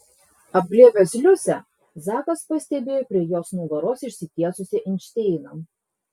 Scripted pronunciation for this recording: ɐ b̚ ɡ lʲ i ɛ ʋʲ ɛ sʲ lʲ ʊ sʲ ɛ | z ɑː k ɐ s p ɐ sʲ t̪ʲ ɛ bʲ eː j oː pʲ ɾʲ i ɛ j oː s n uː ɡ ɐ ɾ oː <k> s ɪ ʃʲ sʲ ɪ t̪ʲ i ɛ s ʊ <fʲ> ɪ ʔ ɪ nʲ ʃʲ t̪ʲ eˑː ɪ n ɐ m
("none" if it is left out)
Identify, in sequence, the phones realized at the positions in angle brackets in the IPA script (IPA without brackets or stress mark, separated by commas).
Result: none, sʲ